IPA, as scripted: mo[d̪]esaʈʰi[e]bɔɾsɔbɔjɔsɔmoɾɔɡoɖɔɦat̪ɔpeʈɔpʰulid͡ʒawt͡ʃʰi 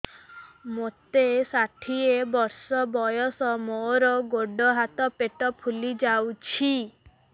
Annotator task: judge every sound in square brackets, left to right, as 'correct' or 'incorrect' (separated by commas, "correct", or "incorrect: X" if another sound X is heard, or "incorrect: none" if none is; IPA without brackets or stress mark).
incorrect: t̪, correct